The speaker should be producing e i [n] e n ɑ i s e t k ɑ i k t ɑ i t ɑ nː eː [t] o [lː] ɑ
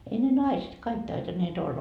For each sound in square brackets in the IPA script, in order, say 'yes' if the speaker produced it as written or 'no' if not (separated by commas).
yes, yes, yes